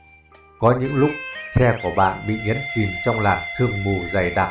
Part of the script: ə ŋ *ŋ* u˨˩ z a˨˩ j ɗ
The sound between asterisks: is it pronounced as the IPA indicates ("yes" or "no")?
no